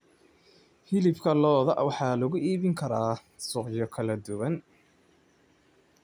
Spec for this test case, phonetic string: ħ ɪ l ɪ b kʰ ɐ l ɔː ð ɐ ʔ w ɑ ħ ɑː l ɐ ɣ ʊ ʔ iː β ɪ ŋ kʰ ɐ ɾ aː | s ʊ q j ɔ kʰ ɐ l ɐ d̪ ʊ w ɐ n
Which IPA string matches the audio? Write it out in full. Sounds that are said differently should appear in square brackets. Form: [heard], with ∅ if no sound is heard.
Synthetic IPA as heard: [h] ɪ l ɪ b kʰ ɐ l ɔː ð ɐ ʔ w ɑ ħ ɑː l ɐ ɣ ʊ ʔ iː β ɪ ŋ kʰ ɐ ɾ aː | s ʊ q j ɔ kʰ ɐ l ɐ d̪ ʊ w ɐ n